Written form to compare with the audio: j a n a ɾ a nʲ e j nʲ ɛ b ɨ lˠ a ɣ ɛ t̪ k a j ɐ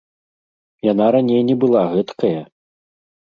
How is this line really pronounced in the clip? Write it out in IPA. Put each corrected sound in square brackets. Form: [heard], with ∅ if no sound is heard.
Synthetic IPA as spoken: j a n a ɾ a nʲ e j nʲ ɛ b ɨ lˠ a ɣ ɛ t̪ k [ɐ] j ɐ